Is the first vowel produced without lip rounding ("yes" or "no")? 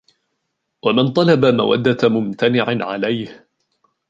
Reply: yes